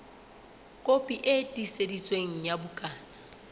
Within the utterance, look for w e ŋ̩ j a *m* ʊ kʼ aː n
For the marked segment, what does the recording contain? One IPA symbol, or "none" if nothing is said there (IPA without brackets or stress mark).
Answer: b